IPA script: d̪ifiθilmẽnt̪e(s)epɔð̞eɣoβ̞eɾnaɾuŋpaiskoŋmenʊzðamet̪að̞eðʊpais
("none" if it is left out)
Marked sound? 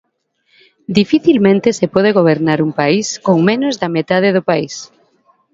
s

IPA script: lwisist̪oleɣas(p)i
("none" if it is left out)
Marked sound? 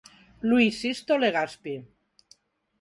p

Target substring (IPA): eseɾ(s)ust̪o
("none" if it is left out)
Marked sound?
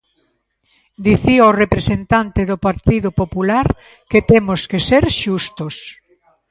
ʃ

